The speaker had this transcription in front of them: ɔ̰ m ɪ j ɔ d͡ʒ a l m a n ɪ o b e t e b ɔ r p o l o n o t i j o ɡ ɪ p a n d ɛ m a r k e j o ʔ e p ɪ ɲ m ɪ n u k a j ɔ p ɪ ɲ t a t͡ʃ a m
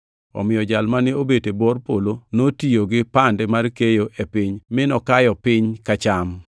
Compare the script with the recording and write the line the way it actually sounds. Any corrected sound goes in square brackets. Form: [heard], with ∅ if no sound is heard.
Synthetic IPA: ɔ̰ m ɪ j ɔ d͡ʒ a l m a n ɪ o b e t e b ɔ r p o l o n o t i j o ɡ ɪ p a n d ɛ m a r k e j o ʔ e p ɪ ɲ m ɪ n [ɔ] k a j ɔ p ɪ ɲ [k] a t͡ʃ a m